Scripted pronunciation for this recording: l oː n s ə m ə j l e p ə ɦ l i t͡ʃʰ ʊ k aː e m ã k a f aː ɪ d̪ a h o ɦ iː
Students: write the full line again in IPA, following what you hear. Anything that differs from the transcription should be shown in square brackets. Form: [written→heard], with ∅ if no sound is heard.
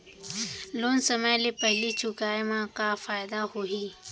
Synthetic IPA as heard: l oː n s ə m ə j l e p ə ɦ l i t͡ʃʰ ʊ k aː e m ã k a f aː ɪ d̪ a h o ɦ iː